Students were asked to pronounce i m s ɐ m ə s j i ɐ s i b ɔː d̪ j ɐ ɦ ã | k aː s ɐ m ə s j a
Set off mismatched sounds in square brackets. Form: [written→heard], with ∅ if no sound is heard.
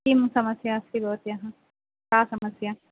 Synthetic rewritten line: i m s ɐ m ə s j [i→a] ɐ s i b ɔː [d̪→t̪] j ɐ ɦ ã | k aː s ɐ m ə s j a

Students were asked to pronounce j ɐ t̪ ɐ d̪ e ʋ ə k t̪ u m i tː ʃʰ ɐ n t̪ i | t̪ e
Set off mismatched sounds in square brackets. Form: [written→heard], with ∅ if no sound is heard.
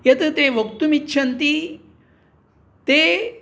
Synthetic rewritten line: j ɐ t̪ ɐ [d̪→t̪] e ʋ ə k t̪ u m i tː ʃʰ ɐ n t̪ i | t̪ e

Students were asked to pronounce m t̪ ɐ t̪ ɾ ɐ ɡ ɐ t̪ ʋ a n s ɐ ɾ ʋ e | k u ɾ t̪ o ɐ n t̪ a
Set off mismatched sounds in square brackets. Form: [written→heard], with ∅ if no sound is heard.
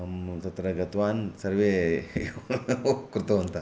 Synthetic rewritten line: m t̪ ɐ t̪ ɾ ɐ ɡ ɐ t̪ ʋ a n s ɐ ɾ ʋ e | k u ɾ t̪ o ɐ n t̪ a

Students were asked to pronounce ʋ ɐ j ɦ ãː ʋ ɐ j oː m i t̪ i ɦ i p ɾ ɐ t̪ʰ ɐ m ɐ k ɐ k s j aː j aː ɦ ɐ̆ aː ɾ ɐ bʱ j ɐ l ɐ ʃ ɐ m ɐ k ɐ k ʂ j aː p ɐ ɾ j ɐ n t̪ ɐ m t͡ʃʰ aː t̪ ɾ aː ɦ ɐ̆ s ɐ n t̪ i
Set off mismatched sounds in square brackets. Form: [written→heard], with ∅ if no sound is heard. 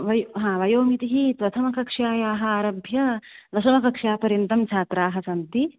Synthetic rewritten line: ʋ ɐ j ɦ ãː ʋ ɐ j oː m i t̪ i ɦ i p ɾ ɐ t̪ʰ ɐ m ɐ k ɐ k [s→ʂ] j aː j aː ɦ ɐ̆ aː ɾ ɐ bʱ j ɐ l ɐ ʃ ɐ m ɐ k ɐ k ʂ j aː p ɐ ɾ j ɐ n t̪ ɐ m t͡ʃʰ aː t̪ ɾ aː ɦ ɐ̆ s ɐ n t̪ i

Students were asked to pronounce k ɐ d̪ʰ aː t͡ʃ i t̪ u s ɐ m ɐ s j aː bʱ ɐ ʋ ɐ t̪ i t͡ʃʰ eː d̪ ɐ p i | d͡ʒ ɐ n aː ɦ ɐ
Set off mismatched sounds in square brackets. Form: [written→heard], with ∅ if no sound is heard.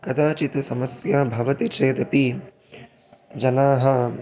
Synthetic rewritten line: k ɐ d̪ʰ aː t͡ʃ i t̪ u s ɐ m ɐ s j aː bʱ ɐ ʋ ɐ t̪ i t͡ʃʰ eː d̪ ɐ p i | d͡ʒ ɐ n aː ɦ ɐ

